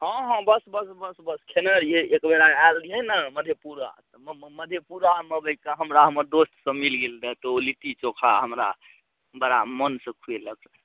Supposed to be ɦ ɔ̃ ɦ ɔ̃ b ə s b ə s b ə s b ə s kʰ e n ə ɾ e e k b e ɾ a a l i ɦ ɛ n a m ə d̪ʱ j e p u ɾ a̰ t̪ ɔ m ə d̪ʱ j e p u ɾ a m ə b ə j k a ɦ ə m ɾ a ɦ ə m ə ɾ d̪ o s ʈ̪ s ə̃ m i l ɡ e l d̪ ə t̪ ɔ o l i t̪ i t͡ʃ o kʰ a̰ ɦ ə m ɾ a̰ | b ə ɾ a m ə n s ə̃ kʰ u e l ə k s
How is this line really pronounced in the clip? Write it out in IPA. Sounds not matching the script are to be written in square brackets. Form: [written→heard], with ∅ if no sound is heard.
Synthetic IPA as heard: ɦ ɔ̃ ɦ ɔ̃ b ə s b ə s b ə s b ə s kʰ e n ə ɾ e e k b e ɾ a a l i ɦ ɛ n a m ə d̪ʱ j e p u ɾ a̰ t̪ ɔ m ə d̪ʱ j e p u ɾ a m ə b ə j k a ɦ ə m ɾ a ɦ ə m ə ɾ d̪ o s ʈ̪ s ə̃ m i l ɡ e l d̪ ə t̪ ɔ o l i t̪ i t͡ʃ o kʰ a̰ ɦ ə m ɾ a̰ | b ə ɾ a m ə n s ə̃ kʰ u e l ə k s

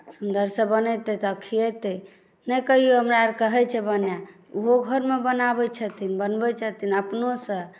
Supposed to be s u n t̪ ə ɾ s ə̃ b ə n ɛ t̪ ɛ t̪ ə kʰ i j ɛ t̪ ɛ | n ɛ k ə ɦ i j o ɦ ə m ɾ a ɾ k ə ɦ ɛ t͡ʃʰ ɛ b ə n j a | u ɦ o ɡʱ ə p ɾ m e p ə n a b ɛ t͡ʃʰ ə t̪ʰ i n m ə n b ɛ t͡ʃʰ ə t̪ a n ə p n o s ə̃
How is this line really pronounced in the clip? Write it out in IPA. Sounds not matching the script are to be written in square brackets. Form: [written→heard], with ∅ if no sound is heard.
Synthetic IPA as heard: s u n [t̪→d̪] ə ɾ s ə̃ b ə n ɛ t̪ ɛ t̪ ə kʰ i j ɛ t̪ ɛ | n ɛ k ə ɦ i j o ɦ ə m ɾ a ɾ k ə ɦ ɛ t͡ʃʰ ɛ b ə n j a | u ɦ o ɡʱ ə [p→∅] ɾ m e [p→b] ə n a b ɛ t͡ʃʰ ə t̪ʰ i n [m→b] ə n b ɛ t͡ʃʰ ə t̪ [a→i] n ə p n o s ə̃

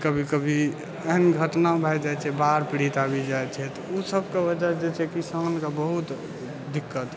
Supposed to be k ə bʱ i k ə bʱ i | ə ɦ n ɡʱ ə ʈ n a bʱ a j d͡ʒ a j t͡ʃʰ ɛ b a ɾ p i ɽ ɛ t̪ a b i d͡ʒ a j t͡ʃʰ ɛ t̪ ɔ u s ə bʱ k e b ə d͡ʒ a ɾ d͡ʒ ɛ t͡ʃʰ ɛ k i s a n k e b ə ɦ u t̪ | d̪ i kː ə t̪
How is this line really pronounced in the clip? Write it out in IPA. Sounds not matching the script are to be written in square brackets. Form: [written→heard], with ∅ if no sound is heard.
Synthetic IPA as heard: k ə bʱ i k ə bʱ i | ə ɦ n ɡʱ ə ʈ n a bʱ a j d͡ʒ a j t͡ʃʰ ɛ b a ɾ p i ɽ [ɛ→i] t̪ a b i d͡ʒ a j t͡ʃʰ ɛ t̪ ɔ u s ə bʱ k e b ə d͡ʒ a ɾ d͡ʒ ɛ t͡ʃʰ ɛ k i s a n k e b ə ɦ u t̪ | d̪ i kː ə t̪

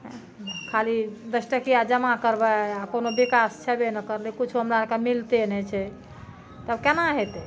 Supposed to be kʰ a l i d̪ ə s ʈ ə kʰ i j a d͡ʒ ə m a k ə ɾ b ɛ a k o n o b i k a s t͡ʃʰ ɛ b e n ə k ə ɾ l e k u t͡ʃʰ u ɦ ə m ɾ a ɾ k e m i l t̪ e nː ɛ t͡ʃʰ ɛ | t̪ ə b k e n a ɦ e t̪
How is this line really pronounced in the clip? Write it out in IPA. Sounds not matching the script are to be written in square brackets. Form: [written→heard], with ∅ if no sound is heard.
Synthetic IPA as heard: kʰ a l i d̪ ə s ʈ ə [kʰ→k] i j a d͡ʒ ə m a k ə ɾ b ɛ a k o n o b i k a s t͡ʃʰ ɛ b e n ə k ə ɾ l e k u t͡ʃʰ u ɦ ə m ɾ a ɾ k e m i l t̪ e [nː→n] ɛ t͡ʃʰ ɛ | t̪ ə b k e n a ɦ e t̪

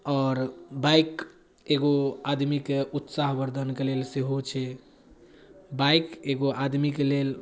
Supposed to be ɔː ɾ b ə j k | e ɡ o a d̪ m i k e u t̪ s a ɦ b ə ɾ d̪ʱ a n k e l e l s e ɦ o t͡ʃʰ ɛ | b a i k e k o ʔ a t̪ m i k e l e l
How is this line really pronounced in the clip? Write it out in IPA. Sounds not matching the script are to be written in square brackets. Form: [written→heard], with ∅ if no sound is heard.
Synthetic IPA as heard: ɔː ɾ b [ə→a] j k | e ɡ o a d̪ m i k e u t̪ s a ɦ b ə ɾ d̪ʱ [a→ə] n k e l e l s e ɦ o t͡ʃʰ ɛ | b a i k e [k→ɡ] o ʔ a [t̪→d̪] m i k e l e l

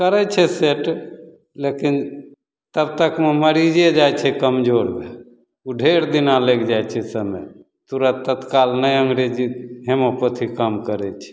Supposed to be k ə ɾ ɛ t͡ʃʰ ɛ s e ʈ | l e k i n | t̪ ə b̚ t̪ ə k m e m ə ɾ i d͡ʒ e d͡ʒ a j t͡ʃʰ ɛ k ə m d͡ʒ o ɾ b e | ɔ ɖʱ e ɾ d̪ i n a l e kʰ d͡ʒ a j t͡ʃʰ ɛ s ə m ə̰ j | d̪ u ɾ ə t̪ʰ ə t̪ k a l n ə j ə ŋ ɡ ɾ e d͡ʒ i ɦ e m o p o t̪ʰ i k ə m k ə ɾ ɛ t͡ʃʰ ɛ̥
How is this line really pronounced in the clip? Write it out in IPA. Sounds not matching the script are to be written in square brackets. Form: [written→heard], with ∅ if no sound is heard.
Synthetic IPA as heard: k ə ɾ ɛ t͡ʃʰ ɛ s e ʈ | l e k i n | t̪ ə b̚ t̪ ə k m e m ə ɾ i d͡ʒ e d͡ʒ a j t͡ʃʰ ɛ k ə m d͡ʒ o ɾ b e | [ɔ→u] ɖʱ e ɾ d̪ i n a l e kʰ d͡ʒ a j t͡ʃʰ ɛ s ə m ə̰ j | [d̪→t̪] u ɾ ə [t̪ʰ→t̪] ə t̪ k a l n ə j ə ŋ ɡ ɾ e d͡ʒ i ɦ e m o p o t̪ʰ i k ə m k ə ɾ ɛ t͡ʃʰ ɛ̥

